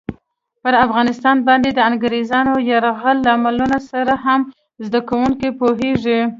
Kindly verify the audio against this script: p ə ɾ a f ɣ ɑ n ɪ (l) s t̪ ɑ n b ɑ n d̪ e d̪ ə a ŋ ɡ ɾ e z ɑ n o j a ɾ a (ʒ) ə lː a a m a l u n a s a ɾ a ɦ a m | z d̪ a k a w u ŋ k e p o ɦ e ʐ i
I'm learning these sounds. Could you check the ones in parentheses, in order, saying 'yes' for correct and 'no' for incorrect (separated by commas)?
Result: no, no